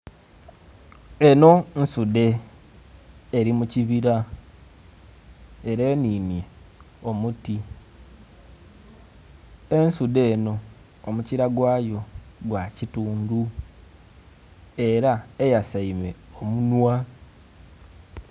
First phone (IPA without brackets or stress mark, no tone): e̞